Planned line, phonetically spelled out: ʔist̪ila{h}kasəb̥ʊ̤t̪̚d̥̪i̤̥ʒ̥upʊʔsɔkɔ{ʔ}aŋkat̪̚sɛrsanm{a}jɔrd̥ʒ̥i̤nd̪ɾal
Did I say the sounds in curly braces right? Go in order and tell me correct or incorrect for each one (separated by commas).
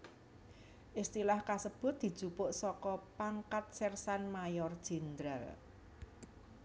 correct, incorrect, correct